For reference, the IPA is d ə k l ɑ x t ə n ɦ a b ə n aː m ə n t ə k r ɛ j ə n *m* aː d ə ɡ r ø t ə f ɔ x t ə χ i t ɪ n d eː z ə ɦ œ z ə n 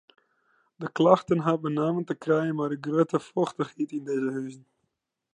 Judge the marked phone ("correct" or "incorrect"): correct